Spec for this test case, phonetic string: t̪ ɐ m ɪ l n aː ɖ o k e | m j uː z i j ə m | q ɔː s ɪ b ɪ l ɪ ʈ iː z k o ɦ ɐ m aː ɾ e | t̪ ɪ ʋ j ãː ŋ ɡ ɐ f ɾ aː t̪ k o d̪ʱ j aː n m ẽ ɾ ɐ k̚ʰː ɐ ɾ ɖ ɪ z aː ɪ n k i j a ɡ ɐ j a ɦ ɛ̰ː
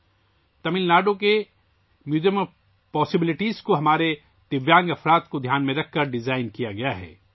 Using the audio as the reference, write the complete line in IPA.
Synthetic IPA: t̪ ɐ m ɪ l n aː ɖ o k e | m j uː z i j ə m | p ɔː s ɪ b ɪ l ɪ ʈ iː z k o ɦ ɐ m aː ɾ e | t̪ ɪ ʋ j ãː ŋ ɡ ɐ f ɾ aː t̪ k o d̪ʱ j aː n m ẽ ɾ ɐ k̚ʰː ɐ ɾ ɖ ɪ z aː ɪ n k i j a ɡ ɐ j a ɦ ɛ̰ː